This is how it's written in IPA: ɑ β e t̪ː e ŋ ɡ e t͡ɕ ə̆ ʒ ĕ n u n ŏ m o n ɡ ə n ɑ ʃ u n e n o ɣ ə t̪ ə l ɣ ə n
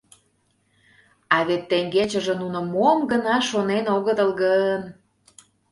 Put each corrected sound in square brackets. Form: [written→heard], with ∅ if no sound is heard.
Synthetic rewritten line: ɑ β e t̪ː e ŋ ɡ e t͡ɕ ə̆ ʒ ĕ n u n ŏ m o [n→m] ɡ ə n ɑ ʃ [u→o] n e n o ɣ ə t̪ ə l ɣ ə n